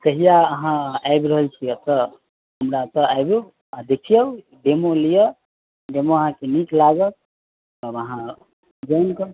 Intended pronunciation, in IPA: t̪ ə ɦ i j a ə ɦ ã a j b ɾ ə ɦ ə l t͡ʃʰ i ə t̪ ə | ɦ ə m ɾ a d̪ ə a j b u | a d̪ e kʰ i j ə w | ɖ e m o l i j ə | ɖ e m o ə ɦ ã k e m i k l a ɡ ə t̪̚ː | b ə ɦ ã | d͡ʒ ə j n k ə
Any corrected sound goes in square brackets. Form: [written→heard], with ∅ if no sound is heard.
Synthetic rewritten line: t̪ ə ɦ i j a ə ɦ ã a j b ɾ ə ɦ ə l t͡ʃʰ i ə t̪ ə | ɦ ə m ɾ a [d̪→t̪] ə a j b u | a d̪ e kʰ i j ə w | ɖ e m o l i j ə | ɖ e m o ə ɦ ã k e [m→n] i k l a ɡ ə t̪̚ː | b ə ɦ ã | d͡ʒ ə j n k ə